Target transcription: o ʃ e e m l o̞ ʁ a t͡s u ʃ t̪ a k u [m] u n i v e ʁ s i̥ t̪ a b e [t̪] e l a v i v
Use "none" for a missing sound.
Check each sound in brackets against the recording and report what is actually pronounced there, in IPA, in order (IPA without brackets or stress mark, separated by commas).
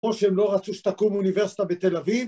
m, t̪